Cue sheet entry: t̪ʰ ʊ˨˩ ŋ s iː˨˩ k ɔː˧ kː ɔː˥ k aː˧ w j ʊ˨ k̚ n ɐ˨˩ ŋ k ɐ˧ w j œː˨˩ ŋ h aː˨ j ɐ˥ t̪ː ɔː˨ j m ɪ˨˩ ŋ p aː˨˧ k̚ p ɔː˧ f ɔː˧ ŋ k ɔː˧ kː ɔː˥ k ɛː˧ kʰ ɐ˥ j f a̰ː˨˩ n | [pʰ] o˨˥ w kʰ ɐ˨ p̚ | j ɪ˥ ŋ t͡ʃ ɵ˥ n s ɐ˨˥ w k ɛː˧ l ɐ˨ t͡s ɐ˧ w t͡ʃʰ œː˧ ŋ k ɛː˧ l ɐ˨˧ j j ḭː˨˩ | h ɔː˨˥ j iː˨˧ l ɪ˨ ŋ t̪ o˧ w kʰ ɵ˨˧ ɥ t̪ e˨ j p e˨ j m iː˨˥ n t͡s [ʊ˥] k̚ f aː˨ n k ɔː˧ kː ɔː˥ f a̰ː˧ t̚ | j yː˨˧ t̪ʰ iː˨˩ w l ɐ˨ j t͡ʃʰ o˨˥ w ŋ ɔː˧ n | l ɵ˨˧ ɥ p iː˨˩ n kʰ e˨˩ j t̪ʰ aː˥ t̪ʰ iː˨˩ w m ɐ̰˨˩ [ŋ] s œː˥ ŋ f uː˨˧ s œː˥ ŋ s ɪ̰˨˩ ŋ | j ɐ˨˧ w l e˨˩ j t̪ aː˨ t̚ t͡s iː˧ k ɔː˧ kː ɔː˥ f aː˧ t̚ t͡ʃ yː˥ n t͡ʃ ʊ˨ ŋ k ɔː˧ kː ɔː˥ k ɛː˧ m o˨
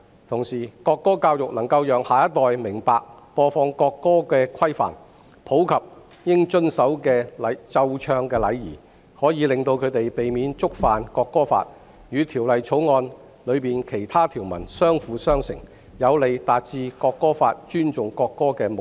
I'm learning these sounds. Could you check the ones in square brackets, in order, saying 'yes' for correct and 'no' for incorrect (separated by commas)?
yes, yes, no